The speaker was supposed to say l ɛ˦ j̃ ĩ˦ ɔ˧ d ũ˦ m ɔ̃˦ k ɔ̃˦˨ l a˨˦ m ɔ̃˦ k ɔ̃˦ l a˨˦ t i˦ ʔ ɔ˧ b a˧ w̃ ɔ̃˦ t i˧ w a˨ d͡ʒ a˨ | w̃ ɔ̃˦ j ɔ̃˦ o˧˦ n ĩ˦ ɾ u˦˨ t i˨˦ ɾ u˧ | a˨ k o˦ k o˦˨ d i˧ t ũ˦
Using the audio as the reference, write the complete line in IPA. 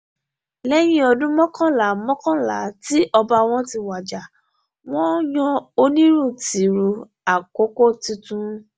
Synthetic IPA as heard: l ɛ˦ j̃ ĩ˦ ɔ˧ d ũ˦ m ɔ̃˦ k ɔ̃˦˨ l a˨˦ m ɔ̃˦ k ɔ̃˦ l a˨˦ t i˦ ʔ ɔ˧ b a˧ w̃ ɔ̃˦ t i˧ w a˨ d͡ʒ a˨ | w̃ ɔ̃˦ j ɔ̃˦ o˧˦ n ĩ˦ ɾ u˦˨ t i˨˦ ɾ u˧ | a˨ k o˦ k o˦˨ t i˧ t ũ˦